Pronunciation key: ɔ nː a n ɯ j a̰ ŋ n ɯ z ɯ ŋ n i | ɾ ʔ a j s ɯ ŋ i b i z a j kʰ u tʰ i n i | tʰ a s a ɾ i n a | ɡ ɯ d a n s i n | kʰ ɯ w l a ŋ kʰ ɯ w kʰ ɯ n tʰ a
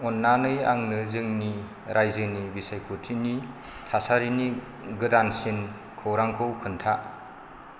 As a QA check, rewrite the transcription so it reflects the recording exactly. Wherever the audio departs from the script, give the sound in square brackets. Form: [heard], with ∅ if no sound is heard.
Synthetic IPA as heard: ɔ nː a n ɯ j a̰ ŋ n ɯ z ɯ ŋ n i | ɾ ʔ a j [z] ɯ [n] i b i [s] a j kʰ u tʰ i n i | tʰ a s a ɾ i n [i] | ɡ ɯ d a n s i n | kʰ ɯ w [ɾ] a ŋ kʰ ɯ w kʰ ɯ n tʰ a